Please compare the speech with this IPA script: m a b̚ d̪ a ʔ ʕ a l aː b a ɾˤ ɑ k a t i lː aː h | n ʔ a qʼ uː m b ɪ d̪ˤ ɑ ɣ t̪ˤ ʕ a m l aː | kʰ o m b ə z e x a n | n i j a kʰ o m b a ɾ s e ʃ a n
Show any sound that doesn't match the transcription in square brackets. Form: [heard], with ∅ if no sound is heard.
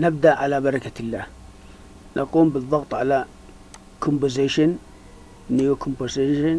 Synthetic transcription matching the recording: [n] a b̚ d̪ a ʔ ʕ a l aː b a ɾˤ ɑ k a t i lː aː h | n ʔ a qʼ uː m b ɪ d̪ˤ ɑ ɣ t̪ˤ ʕ a [∅] l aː | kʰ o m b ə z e [ʃ] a n | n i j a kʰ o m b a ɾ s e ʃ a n